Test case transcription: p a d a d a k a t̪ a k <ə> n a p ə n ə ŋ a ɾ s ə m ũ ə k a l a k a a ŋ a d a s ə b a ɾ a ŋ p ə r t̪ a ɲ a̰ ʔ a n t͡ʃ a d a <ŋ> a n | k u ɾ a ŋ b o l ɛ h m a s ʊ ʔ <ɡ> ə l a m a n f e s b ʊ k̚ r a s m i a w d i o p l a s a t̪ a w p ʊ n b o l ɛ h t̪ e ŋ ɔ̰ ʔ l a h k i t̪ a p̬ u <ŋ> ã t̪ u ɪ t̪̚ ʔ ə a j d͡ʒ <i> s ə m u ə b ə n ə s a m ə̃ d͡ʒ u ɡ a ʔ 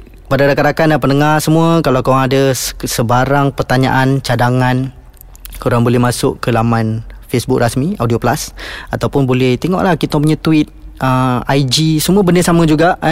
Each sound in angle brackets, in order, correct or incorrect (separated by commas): incorrect, correct, incorrect, incorrect, correct